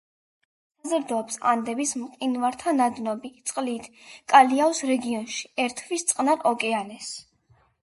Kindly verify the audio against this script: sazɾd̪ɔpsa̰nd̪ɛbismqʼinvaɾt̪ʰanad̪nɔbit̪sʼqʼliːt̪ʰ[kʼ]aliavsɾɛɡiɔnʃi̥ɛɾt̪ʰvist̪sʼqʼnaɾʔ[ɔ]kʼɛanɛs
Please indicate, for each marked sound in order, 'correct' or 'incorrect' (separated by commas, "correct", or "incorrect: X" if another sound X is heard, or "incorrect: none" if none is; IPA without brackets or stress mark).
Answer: correct, correct